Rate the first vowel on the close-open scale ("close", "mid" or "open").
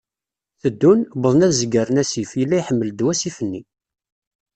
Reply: mid